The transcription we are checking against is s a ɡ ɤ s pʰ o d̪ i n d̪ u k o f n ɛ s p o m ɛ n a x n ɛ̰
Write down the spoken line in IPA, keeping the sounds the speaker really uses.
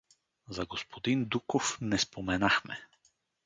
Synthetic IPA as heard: z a ɡ o s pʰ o d̪ i n d̪ u k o f n ɛ s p o m ɛ n a x m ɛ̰

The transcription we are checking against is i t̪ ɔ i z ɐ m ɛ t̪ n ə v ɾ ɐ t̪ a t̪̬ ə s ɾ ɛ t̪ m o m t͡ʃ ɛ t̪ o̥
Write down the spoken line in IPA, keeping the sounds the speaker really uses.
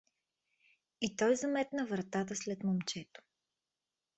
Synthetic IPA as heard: i t̪ ɔ j z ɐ m ɛ t̪ n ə v ɾ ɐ t̪ a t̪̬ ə s l ɛ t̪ m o m t͡ʃ ɛ t̪ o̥

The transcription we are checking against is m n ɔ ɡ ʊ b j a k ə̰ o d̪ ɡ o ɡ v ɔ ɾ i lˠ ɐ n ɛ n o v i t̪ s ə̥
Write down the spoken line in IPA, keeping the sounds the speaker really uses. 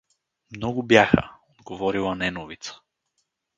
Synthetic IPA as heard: m n ɔ ɡ ʊ b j a x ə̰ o d̪ ɡ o v ɔ ɾ i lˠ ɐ n ɛ n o v i t̪ s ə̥

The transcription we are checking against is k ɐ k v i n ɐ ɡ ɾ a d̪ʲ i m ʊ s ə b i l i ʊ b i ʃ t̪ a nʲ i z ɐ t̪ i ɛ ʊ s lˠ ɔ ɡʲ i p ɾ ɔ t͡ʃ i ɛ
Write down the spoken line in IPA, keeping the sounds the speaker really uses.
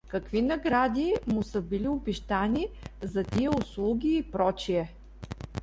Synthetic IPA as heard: k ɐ k v i n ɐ ɡ ɾ a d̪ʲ i m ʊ s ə b i l i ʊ b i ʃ t̪ a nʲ i z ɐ t̪ i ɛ ʊ s lˠ u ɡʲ iː p ɾ ɔ t͡ʃ i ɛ

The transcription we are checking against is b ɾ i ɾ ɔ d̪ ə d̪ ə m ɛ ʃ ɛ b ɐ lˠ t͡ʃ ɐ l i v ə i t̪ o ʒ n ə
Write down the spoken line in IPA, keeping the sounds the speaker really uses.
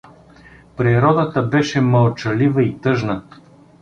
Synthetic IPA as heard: p ɾ i ɾ ɔ d̪ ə t̪ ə b ɛ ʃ ɛ m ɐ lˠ t͡ʃ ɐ l i v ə i t̪ ɤ ʒ n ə

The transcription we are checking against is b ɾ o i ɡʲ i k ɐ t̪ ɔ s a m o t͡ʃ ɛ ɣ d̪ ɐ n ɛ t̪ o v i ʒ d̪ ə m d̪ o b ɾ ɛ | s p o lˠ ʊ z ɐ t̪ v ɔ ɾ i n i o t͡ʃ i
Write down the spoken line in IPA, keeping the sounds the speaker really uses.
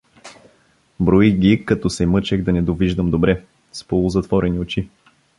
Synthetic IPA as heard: b ɾ o i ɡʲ i k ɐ t̪ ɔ s ɛ m ɤ t͡ʃ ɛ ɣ d̪ ɐ n ɛ d̪ o v i ʒ d̪ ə m d̪ o b ɾ ɛ | s p o lˠ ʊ z ɐ t̪ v ɔ ɾ ɛ n i o t͡ʃ i

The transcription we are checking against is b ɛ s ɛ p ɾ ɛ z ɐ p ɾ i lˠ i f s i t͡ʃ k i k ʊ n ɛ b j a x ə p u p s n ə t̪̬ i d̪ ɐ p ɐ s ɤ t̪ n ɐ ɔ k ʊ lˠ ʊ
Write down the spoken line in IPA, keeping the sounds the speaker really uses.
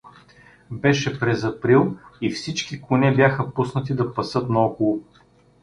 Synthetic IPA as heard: b ɛ ʃ ɛ p ɾ ɛ z ɐ p ɾ i lˠ i f s i t͡ʃ k i k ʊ n ɛ b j a x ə p u s n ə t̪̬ i d̪ ɐ p ɐ s ɤ t̪ n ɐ ɔ k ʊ lˠ ʊ

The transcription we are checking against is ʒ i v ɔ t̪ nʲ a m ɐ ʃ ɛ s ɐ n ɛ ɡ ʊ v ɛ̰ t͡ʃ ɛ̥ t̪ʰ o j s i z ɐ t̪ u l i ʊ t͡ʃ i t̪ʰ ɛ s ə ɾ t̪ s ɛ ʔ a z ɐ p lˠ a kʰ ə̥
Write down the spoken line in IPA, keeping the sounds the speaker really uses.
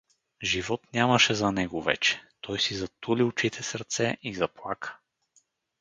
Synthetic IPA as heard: ʒ i v ɔ t̪ nʲ a m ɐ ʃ ɛ z ɐ n ɛ ɡ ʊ v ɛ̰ t͡ʃ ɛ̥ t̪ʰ ɔ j s i z ɐ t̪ u l i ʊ t͡ʃ i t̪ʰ ɛ s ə ɾ t̪ s ɛ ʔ i z ɐ p lˠ a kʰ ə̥

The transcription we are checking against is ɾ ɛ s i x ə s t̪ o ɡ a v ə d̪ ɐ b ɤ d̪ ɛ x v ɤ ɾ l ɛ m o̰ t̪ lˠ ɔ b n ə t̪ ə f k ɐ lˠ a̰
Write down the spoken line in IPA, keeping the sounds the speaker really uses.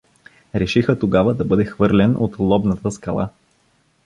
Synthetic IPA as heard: ɾ ɛ ʃ i x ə t̪ o ɡ a v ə d̪ ɐ b ɤ d̪ ɛ x v ɤ ɾ l ɛ n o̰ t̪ lˠ ɔ b n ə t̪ ə s k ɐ lˠ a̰

